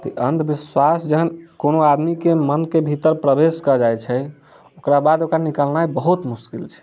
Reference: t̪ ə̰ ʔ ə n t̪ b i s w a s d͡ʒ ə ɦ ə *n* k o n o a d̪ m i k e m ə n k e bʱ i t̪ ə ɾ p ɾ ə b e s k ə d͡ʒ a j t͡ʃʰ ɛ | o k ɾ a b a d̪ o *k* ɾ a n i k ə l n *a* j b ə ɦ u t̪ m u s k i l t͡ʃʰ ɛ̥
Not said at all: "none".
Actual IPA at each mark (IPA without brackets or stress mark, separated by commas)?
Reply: n, k, a